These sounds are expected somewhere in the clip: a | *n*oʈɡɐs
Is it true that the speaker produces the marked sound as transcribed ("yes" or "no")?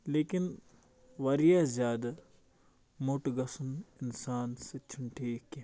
no